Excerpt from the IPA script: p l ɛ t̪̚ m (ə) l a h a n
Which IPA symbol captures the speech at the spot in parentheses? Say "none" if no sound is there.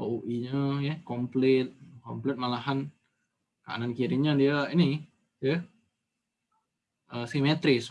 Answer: a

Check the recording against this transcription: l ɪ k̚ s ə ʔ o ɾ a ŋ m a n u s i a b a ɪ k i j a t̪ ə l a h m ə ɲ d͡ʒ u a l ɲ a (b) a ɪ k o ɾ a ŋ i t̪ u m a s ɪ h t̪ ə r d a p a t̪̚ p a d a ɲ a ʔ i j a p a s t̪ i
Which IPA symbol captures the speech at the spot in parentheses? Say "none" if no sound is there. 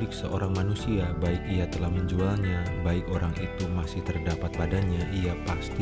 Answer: b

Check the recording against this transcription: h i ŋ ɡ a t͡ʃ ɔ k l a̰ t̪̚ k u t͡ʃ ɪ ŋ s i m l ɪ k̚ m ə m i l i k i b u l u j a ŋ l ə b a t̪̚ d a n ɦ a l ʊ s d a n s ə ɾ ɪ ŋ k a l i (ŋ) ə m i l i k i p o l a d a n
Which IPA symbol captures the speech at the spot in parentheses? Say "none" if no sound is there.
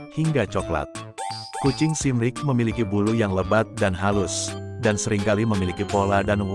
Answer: m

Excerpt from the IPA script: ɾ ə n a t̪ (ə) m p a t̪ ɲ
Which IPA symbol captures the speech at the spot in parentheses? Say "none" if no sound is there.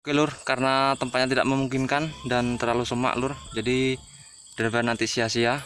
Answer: ə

